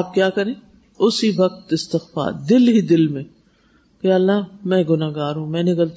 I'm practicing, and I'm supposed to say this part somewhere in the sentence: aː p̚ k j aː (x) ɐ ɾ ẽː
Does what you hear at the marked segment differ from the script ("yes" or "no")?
yes